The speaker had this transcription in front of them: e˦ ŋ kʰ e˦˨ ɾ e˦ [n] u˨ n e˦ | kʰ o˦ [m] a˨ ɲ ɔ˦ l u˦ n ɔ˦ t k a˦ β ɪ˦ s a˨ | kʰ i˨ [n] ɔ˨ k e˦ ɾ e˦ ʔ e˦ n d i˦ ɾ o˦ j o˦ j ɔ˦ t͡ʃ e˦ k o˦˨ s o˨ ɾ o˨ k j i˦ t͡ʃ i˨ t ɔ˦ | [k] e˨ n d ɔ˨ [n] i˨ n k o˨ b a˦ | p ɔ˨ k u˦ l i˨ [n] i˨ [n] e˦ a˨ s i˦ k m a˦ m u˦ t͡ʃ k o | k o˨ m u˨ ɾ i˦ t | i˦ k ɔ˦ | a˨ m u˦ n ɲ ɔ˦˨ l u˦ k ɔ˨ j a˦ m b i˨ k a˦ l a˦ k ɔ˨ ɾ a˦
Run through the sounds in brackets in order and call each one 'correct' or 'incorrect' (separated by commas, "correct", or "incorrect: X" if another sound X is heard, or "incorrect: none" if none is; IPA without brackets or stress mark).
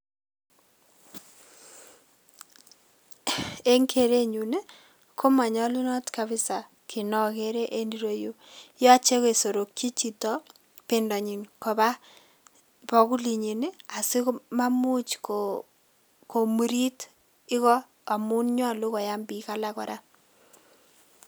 incorrect: ɲ, correct, correct, incorrect: p, incorrect: ɲ, incorrect: ɲ, correct